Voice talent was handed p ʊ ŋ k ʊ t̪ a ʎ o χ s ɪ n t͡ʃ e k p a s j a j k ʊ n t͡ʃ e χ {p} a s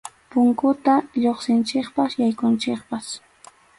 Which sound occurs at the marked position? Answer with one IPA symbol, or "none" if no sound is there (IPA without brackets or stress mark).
p